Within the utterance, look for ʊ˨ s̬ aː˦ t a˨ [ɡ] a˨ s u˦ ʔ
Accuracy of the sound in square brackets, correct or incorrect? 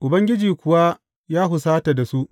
incorrect: d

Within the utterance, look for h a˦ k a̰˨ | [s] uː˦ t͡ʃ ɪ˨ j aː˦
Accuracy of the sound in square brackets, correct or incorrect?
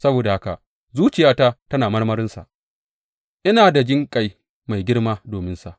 incorrect: z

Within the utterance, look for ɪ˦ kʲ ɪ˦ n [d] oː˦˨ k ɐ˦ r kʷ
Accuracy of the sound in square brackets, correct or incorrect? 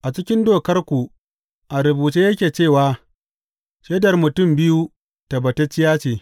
correct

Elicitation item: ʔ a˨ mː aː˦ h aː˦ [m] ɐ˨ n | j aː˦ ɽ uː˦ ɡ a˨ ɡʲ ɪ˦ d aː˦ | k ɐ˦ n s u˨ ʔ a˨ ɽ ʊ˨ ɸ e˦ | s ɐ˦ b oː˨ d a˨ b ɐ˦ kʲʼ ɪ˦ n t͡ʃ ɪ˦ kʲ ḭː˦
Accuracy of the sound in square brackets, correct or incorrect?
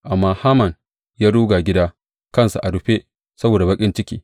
correct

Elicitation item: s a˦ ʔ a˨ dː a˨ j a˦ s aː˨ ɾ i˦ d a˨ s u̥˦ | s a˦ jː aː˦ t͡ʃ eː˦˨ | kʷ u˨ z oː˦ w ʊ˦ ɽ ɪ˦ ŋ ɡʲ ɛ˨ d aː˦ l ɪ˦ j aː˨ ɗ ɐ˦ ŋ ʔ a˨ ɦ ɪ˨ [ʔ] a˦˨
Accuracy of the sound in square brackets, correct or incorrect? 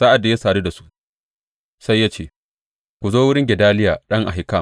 incorrect: k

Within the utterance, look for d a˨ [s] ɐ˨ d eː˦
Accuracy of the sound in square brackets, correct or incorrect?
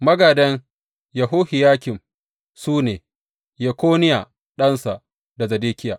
incorrect: z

